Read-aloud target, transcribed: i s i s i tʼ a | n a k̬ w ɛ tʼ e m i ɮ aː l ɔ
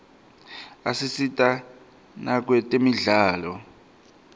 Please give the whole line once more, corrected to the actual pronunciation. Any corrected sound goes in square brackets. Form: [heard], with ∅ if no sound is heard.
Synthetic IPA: [a] s i s i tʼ a | n a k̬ w ɛ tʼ e m i ɮ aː l ɔ